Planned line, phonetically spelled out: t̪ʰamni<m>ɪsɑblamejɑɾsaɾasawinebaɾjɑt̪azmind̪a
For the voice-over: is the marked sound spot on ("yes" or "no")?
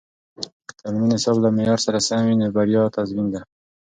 no